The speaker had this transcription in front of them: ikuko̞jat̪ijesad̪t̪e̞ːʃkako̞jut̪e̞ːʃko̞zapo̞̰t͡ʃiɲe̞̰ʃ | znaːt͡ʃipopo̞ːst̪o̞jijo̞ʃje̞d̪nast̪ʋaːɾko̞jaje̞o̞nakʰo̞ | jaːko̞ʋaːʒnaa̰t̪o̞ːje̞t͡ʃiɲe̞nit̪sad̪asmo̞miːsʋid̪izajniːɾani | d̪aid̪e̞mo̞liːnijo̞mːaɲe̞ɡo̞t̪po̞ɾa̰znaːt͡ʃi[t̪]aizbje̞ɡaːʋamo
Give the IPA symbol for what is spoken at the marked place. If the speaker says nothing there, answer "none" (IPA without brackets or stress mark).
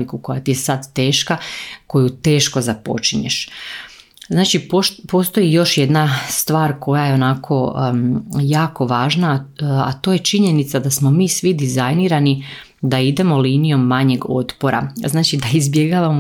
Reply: d̪